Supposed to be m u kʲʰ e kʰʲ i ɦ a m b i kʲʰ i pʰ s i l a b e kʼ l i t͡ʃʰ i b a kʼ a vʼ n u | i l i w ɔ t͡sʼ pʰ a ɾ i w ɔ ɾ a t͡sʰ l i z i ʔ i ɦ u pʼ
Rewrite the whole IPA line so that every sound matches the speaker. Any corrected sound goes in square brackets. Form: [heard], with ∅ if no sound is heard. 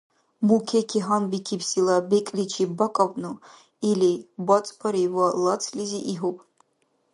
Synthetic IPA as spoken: m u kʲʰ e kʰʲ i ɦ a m b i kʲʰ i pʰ s i l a b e kʼ l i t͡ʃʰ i b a kʼ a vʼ n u | i l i [b] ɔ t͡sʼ pʰ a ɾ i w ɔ [l] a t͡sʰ l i z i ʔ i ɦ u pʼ

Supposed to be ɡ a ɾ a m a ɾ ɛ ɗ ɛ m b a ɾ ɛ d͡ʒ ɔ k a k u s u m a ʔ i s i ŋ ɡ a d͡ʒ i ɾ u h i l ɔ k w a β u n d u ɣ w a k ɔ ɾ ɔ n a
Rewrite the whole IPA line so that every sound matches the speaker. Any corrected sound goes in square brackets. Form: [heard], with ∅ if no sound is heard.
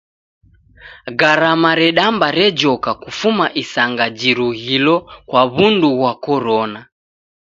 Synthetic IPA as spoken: ɡ a ɾ a m a ɾ ɛ ɗ [a] m b a ɾ ɛ d͡ʒ ɔ k a k u [f] u m a ʔ i s [a] ŋ ɡ a d͡ʒ i ɾ u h i l ɔ k w a β u n d u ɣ w a k ɔ ɾ ɔ n a

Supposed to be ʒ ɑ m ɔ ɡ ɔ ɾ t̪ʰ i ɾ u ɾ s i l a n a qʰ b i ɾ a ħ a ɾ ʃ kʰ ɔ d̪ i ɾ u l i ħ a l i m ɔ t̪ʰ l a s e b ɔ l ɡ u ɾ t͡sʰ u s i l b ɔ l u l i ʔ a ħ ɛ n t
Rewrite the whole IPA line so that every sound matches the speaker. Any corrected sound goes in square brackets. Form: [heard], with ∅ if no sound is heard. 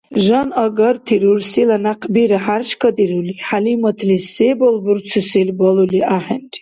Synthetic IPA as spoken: ʒ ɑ [n] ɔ ɡ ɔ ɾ t̪ʰ i ɾ u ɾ s i l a n a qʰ b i ɾ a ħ a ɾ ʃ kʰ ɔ d̪ i ɾ u l i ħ a l i m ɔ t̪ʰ l [i] s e b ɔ l [b] u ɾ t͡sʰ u s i l b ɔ l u l i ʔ a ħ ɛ n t

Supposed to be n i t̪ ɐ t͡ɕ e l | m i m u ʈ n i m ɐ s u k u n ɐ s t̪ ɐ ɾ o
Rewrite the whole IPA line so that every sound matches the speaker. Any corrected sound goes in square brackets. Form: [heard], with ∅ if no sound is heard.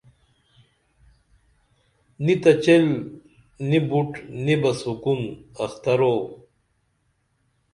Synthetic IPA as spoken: n i t̪ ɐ t͡ɕ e l | [n] i [b] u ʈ n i [b] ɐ s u k u n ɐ [x] t̪ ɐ ɾ o

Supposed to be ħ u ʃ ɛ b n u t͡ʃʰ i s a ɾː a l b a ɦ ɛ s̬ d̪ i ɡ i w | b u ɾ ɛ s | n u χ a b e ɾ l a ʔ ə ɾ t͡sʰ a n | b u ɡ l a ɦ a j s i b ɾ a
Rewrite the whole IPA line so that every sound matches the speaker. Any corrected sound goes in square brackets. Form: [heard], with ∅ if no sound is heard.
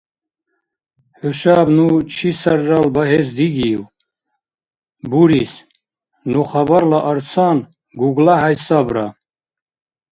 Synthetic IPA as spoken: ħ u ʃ [a] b n u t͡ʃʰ i s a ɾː a l b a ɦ ɛ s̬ d̪ i ɡ i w | b u ɾ [i] s | n u χ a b [a] ɾ l a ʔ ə ɾ t͡sʰ a n | [ɡ] u ɡ l a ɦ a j s [a] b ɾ a

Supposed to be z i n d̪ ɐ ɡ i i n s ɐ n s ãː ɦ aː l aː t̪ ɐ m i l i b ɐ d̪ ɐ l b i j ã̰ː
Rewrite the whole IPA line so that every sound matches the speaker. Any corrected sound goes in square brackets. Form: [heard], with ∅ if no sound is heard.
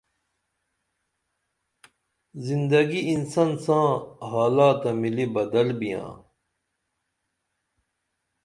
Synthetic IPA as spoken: z i n d̪ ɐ ɡ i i n s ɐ n s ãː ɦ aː l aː t̪ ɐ m i l i b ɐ d̪ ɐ l b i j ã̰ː

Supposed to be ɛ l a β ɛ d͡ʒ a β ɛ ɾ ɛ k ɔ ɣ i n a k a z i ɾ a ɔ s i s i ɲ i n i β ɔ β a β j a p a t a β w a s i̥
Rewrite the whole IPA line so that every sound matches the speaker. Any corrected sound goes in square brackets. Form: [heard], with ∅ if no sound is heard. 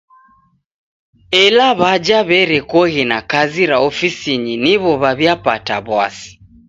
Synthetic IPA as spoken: ɛ l a β [a] d͡ʒ a β ɛ ɾ ɛ k ɔ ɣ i n a k a z i ɾ a ɔ [f] i s i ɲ i n i β ɔ β a β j a p a t a β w a s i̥

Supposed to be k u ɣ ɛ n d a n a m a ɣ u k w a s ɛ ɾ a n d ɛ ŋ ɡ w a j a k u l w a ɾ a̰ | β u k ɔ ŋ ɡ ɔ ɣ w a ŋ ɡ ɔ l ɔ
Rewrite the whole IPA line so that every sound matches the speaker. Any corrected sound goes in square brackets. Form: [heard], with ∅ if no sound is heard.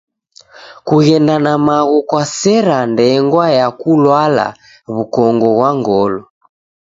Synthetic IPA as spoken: k u ɣ ɛ n d a n a m a ɣ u k w a s ɛ ɾ a n d ɛ ŋ ɡ w a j a k u l w a [l] a̰ | β u k ɔ ŋ ɡ ɔ ɣ w a ŋ ɡ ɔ l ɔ

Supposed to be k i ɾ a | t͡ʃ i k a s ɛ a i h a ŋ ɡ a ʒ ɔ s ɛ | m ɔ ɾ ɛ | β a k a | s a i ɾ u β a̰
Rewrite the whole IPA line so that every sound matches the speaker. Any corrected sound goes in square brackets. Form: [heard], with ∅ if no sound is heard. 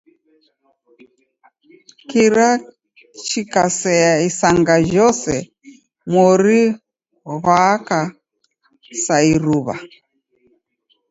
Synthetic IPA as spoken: k i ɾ a | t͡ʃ i k a s ɛ a i [s] a ŋ ɡ a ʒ ɔ s ɛ | m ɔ ɾ [i] | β a k a | s a i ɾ u β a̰

